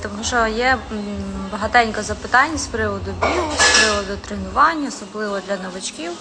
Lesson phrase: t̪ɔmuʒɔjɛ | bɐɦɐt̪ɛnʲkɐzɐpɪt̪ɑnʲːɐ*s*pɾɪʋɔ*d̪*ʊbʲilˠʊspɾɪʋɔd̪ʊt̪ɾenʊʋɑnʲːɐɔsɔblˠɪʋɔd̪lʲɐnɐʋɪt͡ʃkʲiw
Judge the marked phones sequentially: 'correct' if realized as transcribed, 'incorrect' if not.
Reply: correct, correct

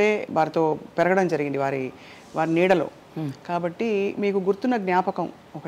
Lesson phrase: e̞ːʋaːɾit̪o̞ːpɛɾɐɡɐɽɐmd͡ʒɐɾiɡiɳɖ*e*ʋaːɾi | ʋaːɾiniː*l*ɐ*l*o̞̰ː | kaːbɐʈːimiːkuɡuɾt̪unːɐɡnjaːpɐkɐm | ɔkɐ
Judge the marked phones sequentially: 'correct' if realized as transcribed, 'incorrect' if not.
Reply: incorrect, incorrect, correct

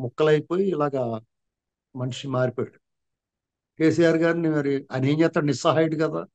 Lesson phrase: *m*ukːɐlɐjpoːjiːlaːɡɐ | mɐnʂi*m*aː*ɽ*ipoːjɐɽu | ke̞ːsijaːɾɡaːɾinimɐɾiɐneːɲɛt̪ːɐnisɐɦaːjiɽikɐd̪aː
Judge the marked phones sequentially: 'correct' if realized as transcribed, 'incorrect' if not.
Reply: correct, correct, incorrect

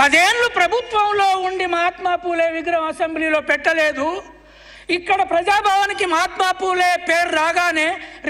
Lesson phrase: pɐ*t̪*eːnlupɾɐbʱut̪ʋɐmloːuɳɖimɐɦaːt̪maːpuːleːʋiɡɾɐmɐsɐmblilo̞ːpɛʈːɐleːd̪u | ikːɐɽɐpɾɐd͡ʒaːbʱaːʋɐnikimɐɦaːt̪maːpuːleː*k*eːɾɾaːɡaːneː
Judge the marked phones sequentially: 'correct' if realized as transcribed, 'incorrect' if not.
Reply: incorrect, incorrect

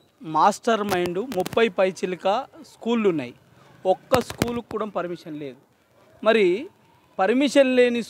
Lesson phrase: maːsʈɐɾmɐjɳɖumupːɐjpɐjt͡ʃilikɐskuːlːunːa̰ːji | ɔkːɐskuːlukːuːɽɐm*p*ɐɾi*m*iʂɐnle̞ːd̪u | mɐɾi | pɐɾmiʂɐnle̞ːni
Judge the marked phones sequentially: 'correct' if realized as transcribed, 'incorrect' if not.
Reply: correct, correct

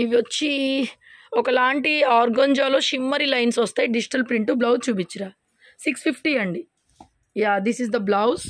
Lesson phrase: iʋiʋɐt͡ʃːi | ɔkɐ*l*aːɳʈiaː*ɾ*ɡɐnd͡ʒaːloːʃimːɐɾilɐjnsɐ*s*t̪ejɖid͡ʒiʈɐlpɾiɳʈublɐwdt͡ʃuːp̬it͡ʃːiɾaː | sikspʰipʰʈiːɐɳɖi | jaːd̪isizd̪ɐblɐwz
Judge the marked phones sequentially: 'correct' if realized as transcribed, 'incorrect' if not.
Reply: correct, correct, correct

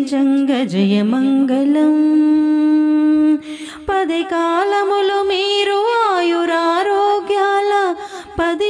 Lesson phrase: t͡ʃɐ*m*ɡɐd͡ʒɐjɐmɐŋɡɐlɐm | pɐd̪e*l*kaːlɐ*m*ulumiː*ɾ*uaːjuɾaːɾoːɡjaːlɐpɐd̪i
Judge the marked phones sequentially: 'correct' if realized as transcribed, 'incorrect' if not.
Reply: incorrect, incorrect, correct, correct

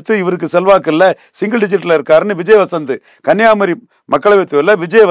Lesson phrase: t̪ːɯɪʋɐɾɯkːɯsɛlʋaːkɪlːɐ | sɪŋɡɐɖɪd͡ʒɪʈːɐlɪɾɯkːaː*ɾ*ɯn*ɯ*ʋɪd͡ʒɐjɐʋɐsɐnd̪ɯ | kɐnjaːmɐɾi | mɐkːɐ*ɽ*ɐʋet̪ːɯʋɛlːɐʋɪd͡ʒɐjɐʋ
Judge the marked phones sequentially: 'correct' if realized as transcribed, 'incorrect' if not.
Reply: correct, correct, incorrect

